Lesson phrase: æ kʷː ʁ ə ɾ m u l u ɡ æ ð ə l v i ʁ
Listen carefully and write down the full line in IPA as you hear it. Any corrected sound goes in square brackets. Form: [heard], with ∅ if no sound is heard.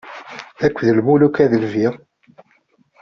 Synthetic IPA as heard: æ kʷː [ð] ə [l] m u l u [k] æ ð ə l v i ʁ